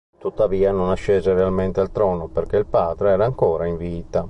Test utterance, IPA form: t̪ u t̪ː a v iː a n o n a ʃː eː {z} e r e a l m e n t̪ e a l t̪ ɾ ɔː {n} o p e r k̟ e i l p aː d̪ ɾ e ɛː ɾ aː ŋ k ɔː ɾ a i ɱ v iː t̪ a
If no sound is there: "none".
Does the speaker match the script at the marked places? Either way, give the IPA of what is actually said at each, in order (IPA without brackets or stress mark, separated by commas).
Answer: z, n